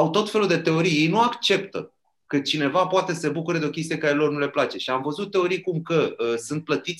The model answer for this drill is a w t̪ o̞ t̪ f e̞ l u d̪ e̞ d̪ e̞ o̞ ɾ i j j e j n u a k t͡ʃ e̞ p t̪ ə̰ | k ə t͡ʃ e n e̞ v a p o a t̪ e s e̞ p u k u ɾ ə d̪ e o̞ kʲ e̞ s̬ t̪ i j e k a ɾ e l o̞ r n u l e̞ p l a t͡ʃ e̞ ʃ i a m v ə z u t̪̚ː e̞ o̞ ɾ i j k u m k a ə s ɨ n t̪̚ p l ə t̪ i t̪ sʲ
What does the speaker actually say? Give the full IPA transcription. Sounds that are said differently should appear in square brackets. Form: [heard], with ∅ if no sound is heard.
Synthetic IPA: a w t̪ o̞ t̪ f e̞ l u d̪ e̞ [t̪] e̞ o̞ ɾ i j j e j n u a k t͡ʃ e̞ p t̪ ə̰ | k ə t͡ʃ [i] n e̞ v a p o a t̪ e s e̞ [b] u k u ɾ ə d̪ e o̞ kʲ e̞ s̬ t̪ i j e k a ɾ e l o̞ r n u l e̞ p l a t͡ʃ e̞ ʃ i a m v ə z u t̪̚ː e̞ o̞ ɾ i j k u m k [ə] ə s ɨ n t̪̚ p l ə t̪ i t̪ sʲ